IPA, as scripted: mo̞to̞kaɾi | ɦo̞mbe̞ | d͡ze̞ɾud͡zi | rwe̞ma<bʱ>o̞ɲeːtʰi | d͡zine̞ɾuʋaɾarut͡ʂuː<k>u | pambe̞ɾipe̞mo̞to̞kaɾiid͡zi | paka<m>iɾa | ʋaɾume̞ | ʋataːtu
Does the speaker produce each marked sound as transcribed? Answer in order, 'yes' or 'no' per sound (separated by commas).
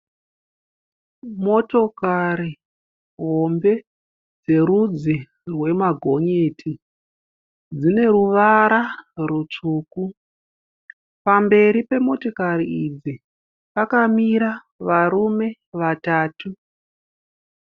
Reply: no, yes, yes